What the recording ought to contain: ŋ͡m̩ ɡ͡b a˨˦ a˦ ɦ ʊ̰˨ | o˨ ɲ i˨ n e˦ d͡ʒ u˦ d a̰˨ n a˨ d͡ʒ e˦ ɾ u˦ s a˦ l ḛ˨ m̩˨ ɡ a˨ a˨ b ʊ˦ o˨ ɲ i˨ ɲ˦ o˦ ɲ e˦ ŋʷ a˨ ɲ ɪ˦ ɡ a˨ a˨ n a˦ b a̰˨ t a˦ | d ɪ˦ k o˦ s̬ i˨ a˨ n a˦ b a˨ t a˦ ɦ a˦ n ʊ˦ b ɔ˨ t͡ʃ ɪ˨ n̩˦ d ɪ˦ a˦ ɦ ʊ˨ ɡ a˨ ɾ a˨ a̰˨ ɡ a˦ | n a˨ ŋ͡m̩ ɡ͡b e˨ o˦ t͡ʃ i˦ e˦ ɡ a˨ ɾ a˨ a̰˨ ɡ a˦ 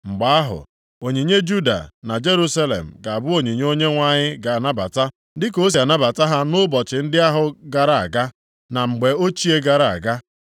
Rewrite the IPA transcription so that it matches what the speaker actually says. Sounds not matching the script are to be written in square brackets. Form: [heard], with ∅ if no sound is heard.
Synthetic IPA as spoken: ŋ͡m̩ ɡ͡b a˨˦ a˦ ɦ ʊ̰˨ | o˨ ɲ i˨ [ɲ] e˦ d͡ʒ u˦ d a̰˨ n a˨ d͡ʒ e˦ ɾ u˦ s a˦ l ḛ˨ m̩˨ ɡ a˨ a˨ b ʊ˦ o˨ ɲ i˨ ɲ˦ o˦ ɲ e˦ ŋʷ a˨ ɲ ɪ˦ ɡ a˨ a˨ n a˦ b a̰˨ t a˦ | d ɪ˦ k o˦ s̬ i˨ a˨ n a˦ b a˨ t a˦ ɦ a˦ n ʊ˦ b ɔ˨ t͡ʃ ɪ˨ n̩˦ d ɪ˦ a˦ ɦ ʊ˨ ɡ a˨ ɾ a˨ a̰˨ ɡ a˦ | n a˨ ŋ͡m̩ ɡ͡b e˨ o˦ t͡ʃ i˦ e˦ ɡ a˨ ɾ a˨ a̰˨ ɡ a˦